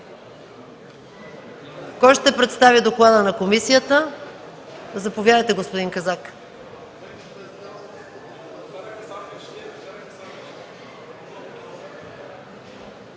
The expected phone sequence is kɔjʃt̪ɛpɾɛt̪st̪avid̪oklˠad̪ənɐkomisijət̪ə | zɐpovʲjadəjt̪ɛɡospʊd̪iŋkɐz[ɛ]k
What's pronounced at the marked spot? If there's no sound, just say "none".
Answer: a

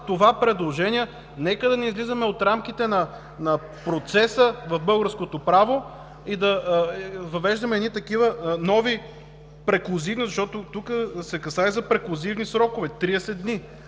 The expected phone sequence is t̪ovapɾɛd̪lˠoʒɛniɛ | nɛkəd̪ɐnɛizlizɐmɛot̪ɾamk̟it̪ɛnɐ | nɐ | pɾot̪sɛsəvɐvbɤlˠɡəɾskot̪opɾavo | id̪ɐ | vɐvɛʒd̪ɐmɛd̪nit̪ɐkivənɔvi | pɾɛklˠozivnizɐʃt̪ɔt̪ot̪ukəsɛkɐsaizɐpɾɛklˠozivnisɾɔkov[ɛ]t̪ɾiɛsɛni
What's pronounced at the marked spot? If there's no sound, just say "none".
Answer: ɛ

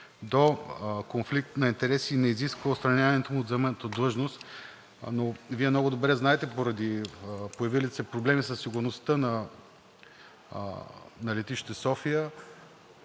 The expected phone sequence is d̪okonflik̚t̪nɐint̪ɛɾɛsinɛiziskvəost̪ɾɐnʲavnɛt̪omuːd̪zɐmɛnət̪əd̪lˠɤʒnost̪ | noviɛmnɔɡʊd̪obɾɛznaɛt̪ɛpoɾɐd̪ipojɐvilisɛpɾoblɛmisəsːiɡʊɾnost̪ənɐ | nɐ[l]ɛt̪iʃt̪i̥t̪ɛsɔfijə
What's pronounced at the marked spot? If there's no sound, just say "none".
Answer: l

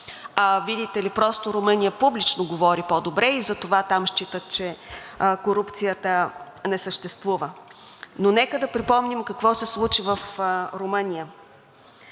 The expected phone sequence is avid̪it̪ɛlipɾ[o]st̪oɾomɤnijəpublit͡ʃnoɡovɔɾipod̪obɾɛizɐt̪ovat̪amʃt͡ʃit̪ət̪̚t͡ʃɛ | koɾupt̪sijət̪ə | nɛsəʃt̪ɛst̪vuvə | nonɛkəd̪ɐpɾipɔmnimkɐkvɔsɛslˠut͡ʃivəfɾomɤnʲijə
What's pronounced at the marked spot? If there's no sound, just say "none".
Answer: ɔ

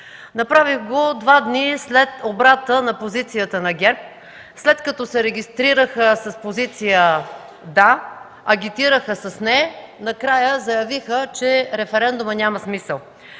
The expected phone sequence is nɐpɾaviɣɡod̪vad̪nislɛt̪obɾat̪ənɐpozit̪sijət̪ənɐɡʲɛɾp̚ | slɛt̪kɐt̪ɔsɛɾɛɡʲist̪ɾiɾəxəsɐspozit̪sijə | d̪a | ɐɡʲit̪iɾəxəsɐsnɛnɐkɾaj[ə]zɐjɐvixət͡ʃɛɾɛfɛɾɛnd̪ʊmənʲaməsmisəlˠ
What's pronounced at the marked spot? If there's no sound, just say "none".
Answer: ə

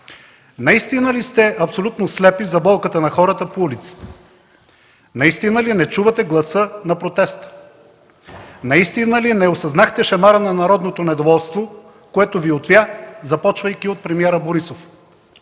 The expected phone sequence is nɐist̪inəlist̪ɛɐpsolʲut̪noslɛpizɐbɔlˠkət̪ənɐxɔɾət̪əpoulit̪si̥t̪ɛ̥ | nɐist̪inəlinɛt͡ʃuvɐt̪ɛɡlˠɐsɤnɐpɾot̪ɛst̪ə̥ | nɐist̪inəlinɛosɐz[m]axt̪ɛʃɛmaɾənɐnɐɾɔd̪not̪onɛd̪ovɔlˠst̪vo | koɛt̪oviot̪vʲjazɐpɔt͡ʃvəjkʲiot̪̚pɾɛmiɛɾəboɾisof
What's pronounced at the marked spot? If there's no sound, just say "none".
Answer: n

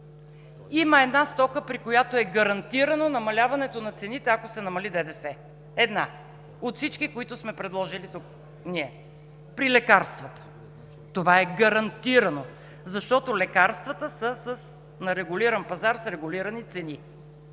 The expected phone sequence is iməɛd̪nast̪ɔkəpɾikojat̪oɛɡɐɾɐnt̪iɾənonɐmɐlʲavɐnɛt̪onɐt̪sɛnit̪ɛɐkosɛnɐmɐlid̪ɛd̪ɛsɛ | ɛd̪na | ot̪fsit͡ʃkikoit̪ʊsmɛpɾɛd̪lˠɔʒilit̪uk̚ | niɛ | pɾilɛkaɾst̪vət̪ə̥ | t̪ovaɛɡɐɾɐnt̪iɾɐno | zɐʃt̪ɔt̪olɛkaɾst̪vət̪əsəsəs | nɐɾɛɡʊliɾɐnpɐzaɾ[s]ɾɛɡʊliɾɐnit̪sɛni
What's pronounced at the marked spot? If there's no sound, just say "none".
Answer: s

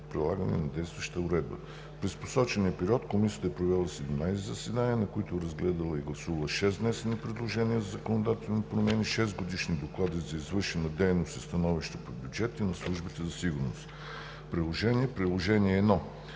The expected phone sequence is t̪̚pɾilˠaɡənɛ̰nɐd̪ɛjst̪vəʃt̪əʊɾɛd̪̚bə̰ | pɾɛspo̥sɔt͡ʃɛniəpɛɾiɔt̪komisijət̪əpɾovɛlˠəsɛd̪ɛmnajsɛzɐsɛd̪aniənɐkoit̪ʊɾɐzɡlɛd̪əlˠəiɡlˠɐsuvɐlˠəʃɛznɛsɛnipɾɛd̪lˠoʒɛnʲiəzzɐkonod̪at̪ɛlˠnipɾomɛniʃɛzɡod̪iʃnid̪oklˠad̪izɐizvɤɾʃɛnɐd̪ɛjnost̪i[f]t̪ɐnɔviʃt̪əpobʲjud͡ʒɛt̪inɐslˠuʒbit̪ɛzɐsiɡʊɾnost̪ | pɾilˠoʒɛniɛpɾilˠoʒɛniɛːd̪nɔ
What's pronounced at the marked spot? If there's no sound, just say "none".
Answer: s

